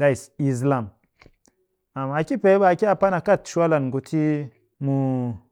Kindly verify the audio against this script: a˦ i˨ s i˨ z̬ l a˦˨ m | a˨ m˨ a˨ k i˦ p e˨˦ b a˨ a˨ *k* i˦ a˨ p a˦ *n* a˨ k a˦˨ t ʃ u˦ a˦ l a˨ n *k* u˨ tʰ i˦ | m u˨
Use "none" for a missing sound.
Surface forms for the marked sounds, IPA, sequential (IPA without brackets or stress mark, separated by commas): k, n, ɡ